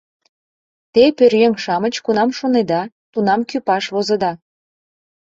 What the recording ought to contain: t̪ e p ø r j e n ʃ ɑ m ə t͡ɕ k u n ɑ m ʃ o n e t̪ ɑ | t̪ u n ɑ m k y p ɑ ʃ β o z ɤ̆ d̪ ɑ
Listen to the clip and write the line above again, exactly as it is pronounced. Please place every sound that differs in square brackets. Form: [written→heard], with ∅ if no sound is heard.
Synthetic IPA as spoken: t̪ e p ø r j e [n→ŋ] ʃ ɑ m ə t͡ɕ k u n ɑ m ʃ o n e [t̪→d̪] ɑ | t̪ u n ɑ m k y p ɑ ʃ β o z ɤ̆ d̪ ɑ